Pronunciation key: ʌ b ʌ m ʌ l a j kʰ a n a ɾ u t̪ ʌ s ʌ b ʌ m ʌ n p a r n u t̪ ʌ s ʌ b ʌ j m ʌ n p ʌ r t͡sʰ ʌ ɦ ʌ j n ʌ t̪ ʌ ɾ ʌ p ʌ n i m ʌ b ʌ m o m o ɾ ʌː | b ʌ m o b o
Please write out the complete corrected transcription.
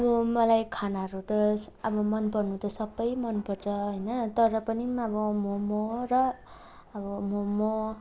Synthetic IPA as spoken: ʌ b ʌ m ʌ l a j kʰ a n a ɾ u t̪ ʌ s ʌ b ʌ m ʌ n p ʌ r n u t̪ ʌ s ʌ b ʌ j m ʌ n p ʌ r t͡sʰ ʌ ɦ ʌ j n ʌ t̪ ʌ ɾ ʌ p ʌ n i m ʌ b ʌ m o m o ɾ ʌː | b ʌ m o m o